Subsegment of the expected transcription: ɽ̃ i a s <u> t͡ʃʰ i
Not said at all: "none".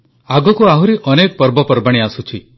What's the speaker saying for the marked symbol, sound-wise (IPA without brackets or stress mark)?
u